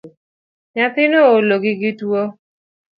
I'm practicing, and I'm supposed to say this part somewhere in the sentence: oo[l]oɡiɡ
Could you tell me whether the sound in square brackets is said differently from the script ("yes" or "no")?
no